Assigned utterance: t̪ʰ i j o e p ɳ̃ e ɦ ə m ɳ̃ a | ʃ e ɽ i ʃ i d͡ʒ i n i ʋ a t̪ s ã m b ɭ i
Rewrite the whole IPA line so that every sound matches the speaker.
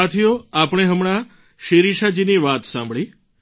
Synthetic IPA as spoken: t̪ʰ i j o a p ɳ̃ e ɦ ə m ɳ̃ a | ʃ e ɾ i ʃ a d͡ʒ i n i ʋ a t̪ s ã m b ɭ i